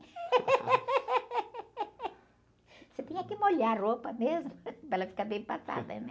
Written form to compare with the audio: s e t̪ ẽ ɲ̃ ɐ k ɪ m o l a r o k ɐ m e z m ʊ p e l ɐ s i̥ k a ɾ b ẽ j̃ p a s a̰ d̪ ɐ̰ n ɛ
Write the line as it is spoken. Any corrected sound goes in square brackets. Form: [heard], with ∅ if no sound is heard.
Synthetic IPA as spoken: s e t̪ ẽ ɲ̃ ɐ k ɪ m o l a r o [p] ɐ m e z m ʊ p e l ɐ [f] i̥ k a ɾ b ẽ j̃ p a s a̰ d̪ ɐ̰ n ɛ